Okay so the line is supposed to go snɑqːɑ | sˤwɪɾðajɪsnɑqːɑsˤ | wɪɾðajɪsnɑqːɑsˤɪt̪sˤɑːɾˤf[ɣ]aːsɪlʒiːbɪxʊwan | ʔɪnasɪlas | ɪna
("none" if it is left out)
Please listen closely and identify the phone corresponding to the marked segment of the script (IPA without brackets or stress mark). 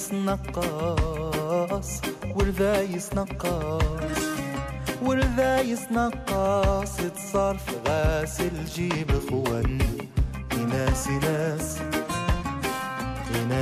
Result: ɣ